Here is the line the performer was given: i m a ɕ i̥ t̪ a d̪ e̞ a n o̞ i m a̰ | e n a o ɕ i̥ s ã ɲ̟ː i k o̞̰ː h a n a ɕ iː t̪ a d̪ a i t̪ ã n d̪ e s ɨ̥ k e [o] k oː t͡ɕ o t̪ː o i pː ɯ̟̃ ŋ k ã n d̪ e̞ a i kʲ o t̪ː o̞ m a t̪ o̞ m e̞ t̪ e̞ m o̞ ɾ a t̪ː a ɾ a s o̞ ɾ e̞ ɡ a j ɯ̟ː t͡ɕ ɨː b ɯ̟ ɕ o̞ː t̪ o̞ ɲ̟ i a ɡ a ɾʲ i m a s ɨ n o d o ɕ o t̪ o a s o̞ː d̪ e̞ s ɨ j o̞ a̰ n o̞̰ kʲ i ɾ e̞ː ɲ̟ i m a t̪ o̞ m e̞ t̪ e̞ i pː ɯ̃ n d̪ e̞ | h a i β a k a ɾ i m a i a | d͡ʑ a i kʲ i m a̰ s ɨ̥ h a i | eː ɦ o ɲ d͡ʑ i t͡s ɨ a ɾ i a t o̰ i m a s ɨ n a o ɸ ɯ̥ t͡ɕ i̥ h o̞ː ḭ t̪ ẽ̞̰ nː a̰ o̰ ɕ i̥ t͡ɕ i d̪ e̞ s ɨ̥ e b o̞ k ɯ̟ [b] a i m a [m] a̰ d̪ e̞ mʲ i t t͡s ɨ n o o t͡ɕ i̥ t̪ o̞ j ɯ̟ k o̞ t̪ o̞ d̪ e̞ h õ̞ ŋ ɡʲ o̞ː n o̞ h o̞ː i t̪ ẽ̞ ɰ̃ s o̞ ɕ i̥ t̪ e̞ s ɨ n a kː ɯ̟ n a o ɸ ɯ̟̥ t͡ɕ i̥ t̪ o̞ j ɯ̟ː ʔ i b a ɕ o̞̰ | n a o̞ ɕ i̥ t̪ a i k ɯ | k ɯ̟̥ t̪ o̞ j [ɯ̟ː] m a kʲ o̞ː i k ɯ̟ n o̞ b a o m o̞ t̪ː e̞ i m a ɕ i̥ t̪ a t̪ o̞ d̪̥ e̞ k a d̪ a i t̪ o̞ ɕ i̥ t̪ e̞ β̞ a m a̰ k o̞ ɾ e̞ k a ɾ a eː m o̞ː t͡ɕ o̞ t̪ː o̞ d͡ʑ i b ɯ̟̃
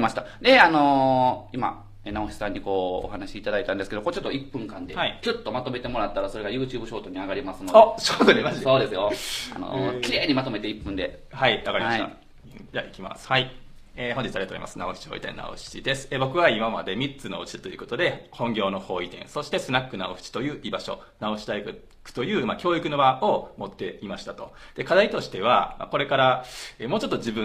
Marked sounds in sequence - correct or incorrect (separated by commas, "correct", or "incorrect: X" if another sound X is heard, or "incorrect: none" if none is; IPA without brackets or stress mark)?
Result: correct, incorrect: β, correct, correct